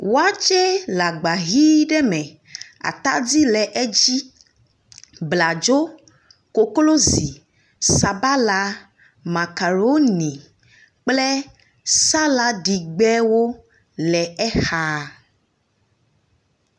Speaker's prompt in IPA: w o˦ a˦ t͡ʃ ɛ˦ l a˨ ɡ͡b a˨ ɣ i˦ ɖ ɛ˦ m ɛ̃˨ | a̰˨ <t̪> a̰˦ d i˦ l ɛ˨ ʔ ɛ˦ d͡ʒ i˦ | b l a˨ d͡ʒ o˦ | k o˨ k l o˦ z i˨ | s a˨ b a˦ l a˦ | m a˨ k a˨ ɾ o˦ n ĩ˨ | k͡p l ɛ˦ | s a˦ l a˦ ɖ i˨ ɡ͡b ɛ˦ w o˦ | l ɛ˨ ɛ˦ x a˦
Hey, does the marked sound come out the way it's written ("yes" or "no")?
yes